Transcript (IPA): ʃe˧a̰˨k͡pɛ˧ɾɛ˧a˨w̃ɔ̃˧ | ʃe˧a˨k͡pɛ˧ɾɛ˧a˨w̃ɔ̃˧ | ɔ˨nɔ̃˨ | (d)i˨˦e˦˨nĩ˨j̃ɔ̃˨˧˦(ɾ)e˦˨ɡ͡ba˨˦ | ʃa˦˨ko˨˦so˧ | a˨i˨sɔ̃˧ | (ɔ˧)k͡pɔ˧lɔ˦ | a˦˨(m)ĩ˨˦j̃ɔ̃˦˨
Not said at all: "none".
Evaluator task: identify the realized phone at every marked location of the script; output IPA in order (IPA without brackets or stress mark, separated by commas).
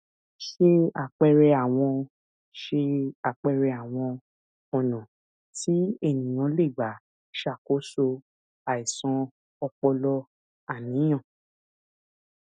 t, l, ɔ˧, n